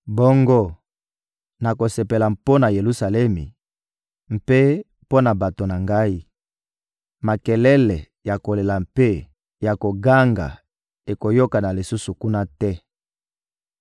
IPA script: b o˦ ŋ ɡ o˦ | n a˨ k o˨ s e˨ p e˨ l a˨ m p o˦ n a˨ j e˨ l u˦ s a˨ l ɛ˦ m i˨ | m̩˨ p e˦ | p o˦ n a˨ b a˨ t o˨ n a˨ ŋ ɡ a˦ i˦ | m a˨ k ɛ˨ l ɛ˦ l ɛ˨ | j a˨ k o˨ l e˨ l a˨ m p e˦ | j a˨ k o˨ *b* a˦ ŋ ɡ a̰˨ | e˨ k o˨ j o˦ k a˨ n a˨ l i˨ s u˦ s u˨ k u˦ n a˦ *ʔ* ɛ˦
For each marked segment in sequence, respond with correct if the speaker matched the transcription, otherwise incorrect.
incorrect, incorrect

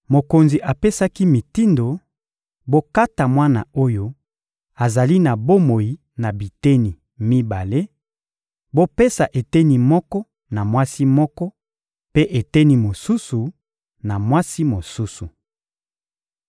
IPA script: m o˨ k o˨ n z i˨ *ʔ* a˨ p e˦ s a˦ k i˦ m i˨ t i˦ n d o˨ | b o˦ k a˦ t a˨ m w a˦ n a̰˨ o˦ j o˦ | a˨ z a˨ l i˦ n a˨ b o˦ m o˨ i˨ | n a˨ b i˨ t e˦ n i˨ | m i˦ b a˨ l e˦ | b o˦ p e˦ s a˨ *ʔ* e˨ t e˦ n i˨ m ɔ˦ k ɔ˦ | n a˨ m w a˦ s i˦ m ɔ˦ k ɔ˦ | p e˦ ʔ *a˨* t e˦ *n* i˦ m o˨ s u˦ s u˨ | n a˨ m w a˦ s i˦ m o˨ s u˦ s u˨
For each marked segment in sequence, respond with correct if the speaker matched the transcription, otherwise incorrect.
correct, correct, incorrect, correct

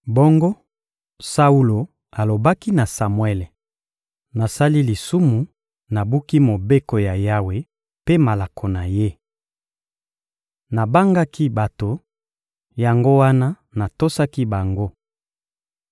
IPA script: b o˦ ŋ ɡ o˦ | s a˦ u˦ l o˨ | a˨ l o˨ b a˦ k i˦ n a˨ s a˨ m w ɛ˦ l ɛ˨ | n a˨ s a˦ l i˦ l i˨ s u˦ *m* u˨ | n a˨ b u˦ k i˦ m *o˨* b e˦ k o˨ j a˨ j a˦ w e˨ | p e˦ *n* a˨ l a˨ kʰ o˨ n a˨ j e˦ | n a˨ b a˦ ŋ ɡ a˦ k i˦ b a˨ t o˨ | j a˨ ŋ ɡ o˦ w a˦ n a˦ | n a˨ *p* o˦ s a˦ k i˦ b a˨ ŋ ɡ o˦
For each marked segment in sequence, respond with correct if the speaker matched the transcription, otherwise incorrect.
correct, correct, incorrect, incorrect

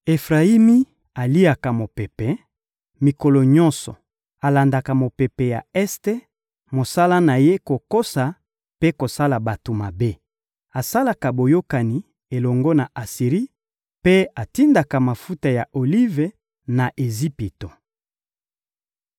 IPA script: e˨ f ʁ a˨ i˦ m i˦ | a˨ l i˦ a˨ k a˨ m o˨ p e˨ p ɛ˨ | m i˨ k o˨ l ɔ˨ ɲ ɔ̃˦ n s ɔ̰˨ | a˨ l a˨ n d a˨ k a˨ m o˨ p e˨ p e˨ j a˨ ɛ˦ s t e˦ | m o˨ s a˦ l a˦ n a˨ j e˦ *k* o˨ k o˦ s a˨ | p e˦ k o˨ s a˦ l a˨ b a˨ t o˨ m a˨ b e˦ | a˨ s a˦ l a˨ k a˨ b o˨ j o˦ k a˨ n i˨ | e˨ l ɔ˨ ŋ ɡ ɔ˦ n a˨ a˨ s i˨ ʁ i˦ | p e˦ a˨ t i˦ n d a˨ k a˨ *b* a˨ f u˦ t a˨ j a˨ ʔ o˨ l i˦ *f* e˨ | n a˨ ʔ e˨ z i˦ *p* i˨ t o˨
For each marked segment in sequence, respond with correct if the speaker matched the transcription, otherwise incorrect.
correct, incorrect, incorrect, correct

